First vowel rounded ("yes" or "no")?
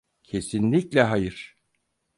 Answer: no